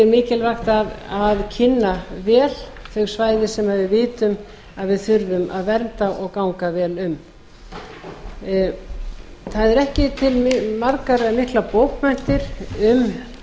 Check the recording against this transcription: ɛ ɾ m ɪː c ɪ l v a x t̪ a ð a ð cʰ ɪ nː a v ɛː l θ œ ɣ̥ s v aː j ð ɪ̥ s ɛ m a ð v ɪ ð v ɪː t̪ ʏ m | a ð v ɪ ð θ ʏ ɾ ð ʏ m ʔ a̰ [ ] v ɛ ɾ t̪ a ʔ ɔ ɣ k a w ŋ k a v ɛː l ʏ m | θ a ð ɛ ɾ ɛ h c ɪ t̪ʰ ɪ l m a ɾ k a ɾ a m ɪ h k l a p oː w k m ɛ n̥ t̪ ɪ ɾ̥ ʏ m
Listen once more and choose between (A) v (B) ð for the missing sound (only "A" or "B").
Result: B